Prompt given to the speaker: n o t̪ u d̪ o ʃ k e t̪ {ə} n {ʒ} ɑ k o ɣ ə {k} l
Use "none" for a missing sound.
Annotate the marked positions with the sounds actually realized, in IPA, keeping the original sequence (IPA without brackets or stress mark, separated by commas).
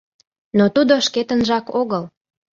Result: ə, ʒ, none